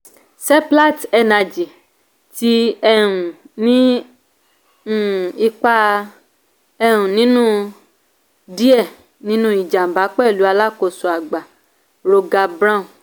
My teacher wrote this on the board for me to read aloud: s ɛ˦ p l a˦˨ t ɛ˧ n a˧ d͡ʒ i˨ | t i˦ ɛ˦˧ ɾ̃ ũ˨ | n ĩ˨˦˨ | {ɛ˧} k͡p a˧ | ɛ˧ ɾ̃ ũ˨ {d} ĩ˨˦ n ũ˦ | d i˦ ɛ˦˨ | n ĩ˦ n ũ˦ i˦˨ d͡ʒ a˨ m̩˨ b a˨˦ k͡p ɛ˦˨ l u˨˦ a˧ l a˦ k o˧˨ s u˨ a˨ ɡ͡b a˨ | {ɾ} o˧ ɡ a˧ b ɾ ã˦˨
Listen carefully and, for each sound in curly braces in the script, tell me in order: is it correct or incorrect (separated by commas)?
incorrect, incorrect, correct